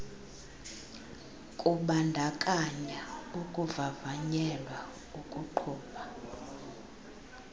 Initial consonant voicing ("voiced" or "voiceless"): voiceless